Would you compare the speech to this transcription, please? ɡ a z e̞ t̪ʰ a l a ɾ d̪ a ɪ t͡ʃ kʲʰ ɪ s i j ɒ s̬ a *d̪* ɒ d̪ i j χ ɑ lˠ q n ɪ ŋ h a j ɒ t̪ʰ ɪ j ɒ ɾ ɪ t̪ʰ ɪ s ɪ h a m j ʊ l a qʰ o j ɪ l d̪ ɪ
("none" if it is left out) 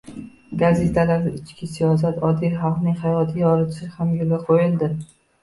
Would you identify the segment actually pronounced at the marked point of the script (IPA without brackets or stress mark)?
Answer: t̪